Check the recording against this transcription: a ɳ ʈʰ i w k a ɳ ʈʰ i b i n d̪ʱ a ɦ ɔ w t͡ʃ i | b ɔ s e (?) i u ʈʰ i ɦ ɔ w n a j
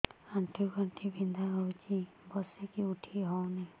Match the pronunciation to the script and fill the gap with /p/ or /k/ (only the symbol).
k